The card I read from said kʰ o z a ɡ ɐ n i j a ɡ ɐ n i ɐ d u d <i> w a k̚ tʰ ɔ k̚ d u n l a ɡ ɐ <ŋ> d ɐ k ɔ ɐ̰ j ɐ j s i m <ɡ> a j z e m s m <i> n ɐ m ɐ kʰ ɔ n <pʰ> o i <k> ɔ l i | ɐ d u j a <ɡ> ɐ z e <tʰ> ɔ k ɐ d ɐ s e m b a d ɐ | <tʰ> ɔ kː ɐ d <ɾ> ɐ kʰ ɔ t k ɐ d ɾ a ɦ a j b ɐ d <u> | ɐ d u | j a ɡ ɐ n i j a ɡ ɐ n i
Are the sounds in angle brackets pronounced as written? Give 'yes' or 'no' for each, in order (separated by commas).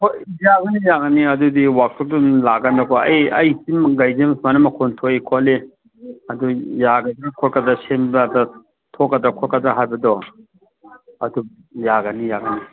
yes, no, yes, no, no, no, yes, no, yes, yes, no